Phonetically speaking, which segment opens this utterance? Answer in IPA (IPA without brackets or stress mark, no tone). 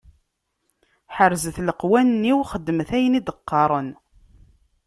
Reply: ħ